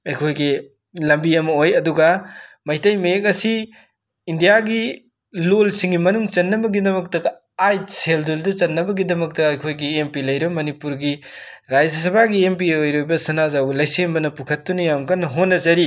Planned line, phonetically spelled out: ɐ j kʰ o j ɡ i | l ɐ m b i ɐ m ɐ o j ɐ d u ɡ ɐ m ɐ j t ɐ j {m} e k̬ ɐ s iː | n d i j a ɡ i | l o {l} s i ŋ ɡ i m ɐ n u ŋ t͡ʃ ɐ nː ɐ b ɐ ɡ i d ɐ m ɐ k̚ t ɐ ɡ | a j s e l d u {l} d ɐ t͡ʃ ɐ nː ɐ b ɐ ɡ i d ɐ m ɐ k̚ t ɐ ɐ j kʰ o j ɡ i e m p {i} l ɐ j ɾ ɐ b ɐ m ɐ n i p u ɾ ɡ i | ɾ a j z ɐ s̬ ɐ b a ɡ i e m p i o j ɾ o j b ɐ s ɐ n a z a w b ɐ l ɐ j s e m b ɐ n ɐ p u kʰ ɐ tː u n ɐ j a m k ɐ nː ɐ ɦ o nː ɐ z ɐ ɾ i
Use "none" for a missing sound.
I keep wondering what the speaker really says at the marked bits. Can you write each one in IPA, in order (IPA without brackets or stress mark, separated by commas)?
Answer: m, l, l, i